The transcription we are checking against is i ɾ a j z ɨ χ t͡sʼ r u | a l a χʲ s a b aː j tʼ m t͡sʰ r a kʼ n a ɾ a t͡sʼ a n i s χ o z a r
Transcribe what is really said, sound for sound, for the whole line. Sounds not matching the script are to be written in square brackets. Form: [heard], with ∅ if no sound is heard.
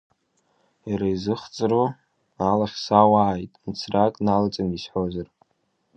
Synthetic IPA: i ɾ a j z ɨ χ t͡sʼ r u | a l a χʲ s a [w] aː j tʼ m t͡sʰ r a kʼ n a [l] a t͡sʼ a n i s [ħ] o z a r